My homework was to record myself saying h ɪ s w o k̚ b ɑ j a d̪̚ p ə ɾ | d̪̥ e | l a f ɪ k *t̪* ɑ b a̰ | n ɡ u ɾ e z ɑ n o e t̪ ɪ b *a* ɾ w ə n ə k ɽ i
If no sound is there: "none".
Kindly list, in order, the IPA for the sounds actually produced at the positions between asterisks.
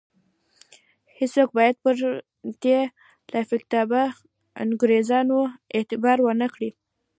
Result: t̪, ɑ

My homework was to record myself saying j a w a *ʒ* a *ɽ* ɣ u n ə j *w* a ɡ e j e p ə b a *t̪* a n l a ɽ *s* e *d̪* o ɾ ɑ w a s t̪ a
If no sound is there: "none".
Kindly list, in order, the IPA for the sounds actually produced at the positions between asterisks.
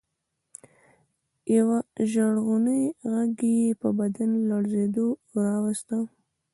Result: ʒ, ɽ, ɣ, d̪, z, d̪

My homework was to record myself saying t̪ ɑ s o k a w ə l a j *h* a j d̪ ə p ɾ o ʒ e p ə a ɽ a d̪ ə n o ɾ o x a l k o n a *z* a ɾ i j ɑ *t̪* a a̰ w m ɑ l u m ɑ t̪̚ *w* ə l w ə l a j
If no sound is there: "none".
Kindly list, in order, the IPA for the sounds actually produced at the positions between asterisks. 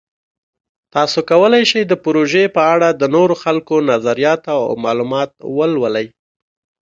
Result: ʃ, z, t̪, w

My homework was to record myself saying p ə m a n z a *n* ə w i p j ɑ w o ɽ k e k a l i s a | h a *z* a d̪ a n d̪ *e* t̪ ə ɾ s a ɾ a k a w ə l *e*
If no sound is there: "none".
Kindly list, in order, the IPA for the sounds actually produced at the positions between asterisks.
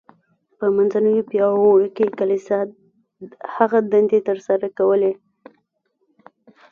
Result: n, ɣ, e, e

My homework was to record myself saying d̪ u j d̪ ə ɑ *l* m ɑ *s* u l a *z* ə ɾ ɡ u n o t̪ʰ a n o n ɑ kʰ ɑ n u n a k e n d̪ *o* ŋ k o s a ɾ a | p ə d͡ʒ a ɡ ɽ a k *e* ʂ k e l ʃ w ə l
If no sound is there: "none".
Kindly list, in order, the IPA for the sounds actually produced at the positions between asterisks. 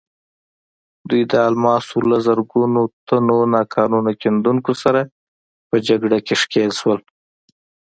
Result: l, s, z, u, e

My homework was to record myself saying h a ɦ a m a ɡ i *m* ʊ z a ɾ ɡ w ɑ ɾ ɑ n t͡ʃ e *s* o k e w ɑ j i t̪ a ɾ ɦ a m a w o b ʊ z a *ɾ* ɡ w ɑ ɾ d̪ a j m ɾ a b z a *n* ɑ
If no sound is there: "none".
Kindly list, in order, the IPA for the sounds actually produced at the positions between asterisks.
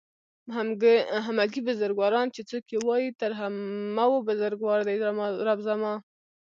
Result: b, t͡s, ɾ, m

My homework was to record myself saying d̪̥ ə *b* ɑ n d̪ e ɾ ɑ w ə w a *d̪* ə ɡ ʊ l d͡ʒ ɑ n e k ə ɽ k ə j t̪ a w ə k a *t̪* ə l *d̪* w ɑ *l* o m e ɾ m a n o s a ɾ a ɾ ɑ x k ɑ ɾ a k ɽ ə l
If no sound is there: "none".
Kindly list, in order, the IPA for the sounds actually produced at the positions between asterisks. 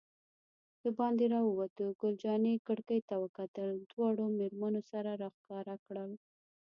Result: b, t̪, t̪, d̪, ɽ

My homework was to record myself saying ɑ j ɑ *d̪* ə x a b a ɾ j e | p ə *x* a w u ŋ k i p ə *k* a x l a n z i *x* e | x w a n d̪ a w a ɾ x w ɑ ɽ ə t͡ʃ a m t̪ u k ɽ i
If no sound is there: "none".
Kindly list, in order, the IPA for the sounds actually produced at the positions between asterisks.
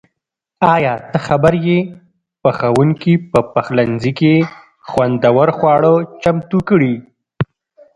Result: t̪, x, p, k

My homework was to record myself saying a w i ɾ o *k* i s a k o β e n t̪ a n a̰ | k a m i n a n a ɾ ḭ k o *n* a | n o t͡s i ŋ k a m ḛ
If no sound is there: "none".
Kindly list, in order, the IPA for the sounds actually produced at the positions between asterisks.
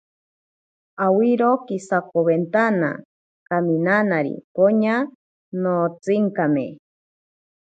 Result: k, ɲ

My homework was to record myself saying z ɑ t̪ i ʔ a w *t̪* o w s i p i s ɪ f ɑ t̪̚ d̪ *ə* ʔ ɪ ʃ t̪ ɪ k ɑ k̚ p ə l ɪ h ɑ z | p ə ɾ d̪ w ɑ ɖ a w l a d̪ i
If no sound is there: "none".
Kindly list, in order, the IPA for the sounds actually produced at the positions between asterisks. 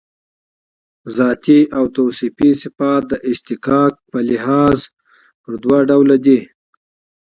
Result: t̪, ə

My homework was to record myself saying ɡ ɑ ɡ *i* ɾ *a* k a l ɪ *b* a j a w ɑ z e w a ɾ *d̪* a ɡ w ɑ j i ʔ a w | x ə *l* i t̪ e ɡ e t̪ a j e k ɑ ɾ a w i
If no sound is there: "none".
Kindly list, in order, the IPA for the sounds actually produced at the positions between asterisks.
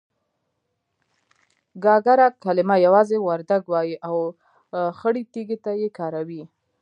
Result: a, a, m, d̪, ɽ

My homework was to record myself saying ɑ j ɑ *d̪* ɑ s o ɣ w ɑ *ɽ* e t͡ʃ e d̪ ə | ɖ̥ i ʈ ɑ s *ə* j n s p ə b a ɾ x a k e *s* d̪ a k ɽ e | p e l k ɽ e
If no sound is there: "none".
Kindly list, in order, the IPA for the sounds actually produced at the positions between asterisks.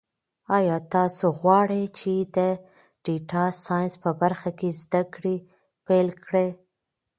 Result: t̪, ɽ, ɑ, z

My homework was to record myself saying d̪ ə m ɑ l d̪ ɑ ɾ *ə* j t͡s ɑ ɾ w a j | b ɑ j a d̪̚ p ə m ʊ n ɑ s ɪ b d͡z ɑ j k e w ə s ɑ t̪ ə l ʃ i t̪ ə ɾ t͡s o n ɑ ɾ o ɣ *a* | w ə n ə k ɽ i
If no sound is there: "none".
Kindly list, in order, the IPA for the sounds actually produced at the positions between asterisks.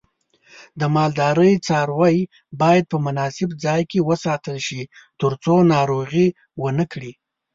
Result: ə, i

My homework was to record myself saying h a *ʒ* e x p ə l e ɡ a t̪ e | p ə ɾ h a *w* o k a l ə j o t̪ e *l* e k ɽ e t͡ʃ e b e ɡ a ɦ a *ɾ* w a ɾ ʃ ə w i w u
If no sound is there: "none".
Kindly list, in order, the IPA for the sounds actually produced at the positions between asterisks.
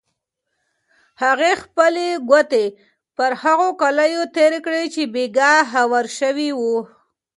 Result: ɣ, ɣ, ɾ, none

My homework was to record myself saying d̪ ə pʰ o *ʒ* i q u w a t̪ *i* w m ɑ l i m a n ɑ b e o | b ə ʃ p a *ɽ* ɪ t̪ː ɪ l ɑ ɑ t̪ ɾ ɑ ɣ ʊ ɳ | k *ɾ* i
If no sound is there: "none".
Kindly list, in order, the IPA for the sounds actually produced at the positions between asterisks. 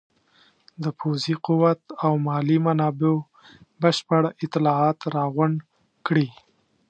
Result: z, a, ɽ, ɽ

